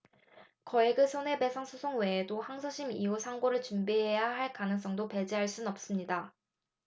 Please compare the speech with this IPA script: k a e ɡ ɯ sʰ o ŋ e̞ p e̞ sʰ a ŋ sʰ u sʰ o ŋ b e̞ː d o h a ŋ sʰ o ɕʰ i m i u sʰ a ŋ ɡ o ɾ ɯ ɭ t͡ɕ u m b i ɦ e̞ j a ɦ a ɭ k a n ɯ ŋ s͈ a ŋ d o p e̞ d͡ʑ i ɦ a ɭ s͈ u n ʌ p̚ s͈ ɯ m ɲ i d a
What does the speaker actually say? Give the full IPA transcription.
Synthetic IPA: k ʌ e ɡ ɯ sʰ o n e̞ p e̞ sʰ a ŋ sʰ u sʰ o ŋ w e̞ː d o h a ŋ sʰ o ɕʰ i m i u sʰ a ŋ ɡ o ɾ ɯ ɭ t͡ɕ u m b i ɦ e̞ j a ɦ a ɭ k a n ɯ ŋ s͈ ʌ ŋ d o p e̞ d͡ʑ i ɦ a ɭ s͈ u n ʌ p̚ s͈ ɯ m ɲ i d a